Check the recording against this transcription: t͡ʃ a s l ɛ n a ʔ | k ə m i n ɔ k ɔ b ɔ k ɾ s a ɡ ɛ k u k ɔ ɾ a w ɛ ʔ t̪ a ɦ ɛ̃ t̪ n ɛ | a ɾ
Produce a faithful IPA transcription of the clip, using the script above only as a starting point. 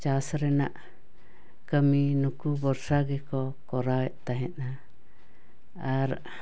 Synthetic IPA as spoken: t͡ʃ a s ɾ ɛ n a ʔ | k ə m i n u k u b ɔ ɾ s a ɡ ɛ k ɔ k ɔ ɾ a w ɛ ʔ t̪ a ɦ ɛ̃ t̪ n a | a ɾ